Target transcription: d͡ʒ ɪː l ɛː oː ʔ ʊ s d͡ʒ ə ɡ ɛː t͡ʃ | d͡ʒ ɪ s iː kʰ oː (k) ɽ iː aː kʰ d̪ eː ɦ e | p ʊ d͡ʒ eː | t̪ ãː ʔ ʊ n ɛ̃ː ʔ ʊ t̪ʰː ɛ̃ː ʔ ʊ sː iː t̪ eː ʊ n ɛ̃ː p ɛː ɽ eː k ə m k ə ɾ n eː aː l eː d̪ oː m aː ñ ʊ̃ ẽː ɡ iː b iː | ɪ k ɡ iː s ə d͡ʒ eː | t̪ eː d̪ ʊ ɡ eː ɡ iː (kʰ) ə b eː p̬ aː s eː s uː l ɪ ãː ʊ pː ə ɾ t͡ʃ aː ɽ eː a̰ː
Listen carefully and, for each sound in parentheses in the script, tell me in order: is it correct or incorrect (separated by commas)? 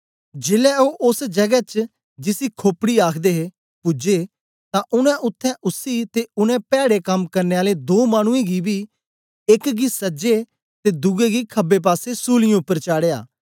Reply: incorrect, correct